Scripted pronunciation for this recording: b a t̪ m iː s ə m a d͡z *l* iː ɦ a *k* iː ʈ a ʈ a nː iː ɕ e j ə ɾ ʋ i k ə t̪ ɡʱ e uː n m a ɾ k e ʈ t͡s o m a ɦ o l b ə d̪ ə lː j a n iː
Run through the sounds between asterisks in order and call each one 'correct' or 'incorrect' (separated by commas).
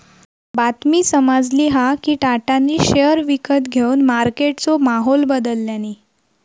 correct, correct